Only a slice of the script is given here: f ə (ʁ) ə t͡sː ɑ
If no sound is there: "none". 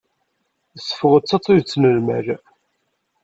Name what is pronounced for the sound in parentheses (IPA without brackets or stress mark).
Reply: ʁ